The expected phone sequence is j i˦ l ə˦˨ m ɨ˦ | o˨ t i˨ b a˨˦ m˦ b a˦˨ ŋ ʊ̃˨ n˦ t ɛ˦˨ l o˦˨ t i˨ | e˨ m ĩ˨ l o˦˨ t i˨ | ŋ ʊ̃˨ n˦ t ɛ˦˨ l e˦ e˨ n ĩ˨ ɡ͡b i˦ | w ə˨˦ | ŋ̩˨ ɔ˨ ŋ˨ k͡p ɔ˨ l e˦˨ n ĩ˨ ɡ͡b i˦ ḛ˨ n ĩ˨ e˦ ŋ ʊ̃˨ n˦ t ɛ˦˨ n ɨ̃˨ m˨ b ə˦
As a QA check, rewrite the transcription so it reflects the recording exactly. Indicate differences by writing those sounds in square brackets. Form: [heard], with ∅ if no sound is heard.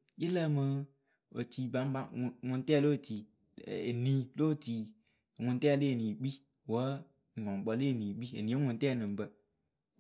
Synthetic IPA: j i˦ l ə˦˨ m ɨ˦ | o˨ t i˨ b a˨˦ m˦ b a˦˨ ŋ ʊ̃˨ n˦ t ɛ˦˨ l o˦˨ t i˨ | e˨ [n] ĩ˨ l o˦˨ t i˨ | ŋ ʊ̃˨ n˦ t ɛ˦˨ l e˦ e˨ n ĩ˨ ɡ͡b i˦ | w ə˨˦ | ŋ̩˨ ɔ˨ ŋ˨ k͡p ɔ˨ l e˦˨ n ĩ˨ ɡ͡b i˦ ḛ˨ n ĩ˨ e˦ ŋ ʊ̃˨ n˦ t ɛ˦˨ n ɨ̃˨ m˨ b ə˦